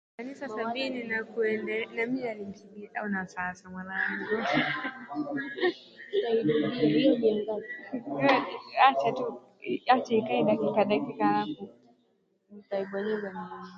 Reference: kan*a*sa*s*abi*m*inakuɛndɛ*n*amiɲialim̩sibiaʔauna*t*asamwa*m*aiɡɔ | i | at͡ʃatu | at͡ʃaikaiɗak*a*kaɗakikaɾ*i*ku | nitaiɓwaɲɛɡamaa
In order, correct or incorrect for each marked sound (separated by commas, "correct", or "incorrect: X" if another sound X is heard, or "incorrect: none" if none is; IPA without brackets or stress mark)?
incorrect: i, correct, incorrect: n, correct, incorrect: s, incorrect: n, incorrect: i, incorrect: a